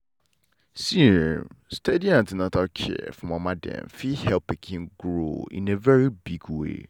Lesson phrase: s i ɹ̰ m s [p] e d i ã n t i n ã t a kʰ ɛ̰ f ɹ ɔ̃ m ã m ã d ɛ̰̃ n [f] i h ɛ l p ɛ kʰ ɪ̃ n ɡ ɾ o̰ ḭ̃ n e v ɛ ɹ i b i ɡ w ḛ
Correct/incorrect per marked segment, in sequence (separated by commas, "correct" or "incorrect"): incorrect, correct